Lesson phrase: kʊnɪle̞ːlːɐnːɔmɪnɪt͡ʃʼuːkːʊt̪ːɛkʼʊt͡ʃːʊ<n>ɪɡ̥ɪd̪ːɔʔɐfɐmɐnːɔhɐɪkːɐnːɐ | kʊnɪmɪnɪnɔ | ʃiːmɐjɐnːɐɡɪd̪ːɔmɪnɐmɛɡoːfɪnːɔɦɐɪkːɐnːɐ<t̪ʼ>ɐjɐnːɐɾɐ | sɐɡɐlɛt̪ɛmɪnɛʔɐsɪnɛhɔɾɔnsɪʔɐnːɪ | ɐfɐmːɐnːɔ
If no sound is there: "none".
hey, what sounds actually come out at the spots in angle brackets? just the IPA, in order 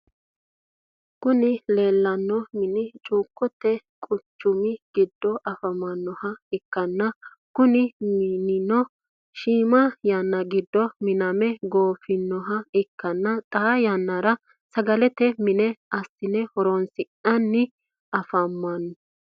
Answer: m, t̪ʼ

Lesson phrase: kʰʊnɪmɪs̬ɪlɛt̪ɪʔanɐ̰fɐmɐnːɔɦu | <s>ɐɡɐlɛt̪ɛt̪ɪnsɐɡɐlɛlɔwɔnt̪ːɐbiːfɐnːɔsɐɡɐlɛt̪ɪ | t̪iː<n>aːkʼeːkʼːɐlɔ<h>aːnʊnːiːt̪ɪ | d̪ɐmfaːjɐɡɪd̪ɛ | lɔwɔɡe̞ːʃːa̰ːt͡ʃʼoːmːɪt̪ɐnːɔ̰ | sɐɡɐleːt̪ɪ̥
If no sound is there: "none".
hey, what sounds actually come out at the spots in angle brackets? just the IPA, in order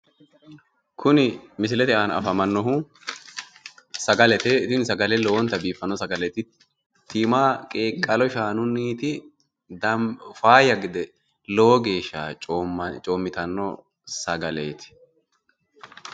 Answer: s, m, ʃ

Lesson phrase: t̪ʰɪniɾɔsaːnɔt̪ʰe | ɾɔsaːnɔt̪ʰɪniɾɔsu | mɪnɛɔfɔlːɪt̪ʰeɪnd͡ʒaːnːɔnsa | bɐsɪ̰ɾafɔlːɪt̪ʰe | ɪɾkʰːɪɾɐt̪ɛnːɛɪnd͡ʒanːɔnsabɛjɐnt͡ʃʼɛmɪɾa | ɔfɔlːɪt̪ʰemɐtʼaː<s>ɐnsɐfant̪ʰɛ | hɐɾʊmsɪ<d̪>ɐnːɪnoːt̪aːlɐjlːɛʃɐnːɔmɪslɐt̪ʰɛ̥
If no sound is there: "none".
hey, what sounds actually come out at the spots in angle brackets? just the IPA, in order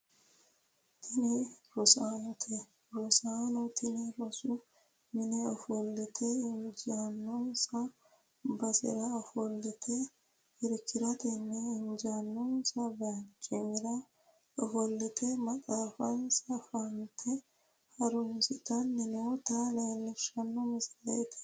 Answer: f, t̪

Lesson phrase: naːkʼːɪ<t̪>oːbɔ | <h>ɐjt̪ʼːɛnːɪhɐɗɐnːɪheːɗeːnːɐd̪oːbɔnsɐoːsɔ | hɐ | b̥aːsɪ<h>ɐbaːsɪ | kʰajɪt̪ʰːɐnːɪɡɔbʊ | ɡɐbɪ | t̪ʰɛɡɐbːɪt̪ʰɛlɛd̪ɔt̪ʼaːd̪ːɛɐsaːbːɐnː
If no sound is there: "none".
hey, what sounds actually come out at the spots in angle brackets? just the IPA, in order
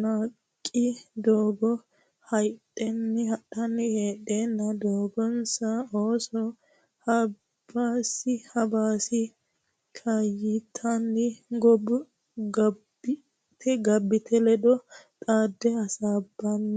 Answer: d̪, h, h

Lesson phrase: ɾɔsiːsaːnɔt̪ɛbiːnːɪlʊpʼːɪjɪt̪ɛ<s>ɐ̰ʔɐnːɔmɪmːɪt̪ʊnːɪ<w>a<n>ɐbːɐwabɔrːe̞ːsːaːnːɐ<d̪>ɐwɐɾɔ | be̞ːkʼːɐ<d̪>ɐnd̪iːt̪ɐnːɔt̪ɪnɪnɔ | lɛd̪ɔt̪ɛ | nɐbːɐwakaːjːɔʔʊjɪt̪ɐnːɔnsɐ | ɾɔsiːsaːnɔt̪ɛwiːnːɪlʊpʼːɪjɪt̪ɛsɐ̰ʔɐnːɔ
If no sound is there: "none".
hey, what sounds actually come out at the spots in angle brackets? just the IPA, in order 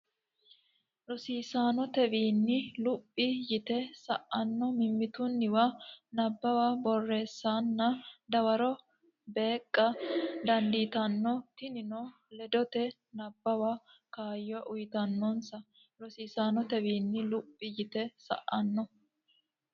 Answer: s, w, n, d̪, d̪

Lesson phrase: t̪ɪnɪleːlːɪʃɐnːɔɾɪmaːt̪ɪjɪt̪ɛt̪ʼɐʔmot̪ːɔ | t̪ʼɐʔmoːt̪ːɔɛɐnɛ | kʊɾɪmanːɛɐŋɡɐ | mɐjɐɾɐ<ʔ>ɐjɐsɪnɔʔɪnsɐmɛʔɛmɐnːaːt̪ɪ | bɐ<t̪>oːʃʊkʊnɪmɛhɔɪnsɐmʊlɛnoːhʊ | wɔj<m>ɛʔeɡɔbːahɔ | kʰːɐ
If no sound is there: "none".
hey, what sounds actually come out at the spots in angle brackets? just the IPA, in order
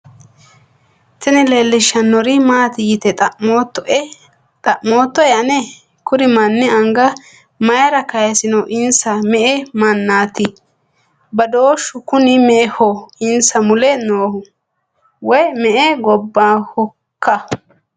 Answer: k, d̪, m

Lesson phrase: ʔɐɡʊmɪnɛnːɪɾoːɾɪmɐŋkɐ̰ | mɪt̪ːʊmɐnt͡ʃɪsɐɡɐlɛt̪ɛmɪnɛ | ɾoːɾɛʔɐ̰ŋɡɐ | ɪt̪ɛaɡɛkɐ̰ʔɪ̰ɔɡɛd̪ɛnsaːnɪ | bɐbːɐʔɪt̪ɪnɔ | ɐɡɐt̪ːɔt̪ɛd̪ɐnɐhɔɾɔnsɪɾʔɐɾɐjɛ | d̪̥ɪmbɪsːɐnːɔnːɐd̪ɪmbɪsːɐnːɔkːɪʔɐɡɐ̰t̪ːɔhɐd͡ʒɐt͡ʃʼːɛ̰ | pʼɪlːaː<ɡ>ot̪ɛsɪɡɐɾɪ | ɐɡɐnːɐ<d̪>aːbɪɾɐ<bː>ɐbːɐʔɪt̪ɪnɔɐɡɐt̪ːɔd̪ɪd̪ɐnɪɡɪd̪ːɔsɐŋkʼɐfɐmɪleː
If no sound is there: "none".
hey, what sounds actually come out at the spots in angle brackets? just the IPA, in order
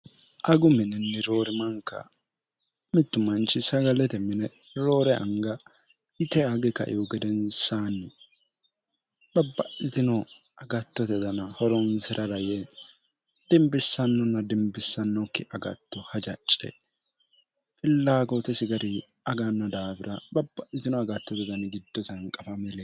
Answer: ɡ, d̪, b

